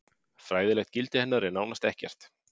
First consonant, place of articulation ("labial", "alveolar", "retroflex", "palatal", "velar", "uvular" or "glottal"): labial